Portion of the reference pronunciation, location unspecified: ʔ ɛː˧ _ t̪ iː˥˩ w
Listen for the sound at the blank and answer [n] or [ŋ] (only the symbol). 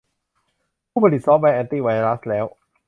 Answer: n